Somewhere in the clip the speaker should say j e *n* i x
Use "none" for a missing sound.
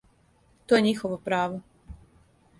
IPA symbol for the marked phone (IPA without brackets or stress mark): ɲ